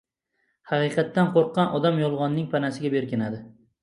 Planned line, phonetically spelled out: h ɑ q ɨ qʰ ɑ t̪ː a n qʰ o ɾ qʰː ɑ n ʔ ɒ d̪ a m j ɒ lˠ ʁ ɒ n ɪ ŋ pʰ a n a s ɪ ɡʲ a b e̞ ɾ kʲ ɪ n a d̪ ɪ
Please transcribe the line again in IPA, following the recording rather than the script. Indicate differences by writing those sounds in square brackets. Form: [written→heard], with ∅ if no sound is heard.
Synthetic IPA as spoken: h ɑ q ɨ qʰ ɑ t̪ː a n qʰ o ɾ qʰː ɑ n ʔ ɒ d̪ a m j ɒ lˠ ʁ ɒ [n→nː] ɪ ŋ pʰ a n a s ɪ ɡʲ a b e̞ ɾ kʲ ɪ n a d̪ ɪ